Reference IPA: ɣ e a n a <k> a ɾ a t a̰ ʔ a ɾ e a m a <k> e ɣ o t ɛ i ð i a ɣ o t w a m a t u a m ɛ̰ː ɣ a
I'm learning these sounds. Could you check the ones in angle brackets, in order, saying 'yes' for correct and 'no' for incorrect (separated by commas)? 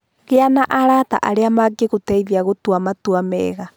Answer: no, no